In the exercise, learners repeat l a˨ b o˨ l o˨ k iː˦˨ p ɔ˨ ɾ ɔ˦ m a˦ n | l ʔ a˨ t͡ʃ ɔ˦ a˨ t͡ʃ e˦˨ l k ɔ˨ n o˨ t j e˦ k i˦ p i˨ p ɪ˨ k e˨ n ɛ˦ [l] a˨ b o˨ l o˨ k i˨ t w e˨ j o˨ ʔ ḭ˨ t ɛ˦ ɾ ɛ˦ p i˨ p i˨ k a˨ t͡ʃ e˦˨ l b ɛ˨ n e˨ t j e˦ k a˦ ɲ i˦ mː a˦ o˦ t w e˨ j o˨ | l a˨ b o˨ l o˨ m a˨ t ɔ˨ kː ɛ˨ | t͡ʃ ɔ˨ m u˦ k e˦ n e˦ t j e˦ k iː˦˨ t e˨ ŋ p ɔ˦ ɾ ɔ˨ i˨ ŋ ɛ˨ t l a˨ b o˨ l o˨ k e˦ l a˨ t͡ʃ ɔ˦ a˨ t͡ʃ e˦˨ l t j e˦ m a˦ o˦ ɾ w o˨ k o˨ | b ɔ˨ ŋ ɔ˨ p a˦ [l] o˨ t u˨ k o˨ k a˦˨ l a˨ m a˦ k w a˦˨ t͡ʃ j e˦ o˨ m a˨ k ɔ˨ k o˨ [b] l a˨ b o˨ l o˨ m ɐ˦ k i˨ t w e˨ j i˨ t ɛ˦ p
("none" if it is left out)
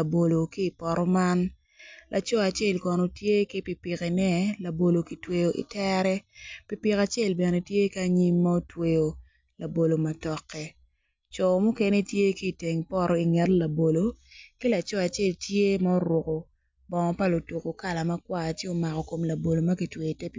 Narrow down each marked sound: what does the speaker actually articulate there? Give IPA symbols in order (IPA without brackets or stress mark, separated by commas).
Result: l, l, m